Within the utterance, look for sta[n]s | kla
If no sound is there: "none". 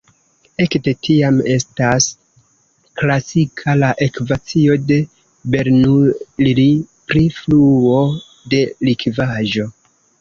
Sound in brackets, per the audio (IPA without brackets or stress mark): none